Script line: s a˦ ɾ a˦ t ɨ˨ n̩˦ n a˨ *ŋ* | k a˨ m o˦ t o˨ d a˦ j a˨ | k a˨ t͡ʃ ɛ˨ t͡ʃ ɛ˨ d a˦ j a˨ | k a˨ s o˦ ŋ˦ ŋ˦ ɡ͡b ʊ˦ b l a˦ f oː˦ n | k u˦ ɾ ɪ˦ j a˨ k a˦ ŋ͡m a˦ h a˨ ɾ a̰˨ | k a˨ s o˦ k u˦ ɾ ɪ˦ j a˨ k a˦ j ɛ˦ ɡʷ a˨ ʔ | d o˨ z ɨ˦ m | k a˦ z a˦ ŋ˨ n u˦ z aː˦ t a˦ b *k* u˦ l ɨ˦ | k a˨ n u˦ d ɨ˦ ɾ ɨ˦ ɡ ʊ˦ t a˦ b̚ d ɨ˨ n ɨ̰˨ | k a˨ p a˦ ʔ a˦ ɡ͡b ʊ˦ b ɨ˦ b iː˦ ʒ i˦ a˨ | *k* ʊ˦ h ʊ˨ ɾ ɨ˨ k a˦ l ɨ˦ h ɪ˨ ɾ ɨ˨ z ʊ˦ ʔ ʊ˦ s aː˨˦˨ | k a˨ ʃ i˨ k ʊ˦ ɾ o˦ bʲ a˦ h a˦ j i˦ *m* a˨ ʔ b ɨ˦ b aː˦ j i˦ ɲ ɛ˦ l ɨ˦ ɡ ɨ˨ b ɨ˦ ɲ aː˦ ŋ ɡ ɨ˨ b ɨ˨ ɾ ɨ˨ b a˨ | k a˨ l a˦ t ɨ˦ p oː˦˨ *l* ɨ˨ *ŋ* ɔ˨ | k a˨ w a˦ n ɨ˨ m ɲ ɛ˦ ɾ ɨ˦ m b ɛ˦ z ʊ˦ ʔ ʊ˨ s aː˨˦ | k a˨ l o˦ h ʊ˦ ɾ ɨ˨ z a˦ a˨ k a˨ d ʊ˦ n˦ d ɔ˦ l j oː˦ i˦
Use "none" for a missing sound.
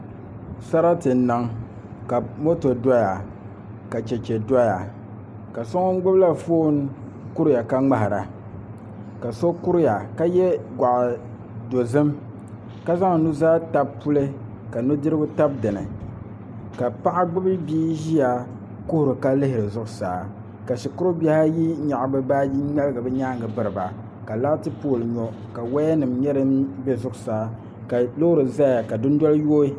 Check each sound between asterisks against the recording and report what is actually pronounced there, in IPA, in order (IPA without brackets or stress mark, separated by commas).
ŋ, p, k, ɲ, l, ɲ